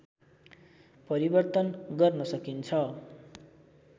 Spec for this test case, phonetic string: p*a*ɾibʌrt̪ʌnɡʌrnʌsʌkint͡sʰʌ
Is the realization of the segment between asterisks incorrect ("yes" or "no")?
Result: yes